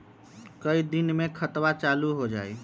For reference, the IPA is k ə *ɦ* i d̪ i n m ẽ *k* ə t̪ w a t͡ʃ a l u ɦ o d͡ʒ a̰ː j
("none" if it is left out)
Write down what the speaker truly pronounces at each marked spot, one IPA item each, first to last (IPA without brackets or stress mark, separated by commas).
none, kʰ